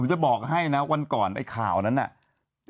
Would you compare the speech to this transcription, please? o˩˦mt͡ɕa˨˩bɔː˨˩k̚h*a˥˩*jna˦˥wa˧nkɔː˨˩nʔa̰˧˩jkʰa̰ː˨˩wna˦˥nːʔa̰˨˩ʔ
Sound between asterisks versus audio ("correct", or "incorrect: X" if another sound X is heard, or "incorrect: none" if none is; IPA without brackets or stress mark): correct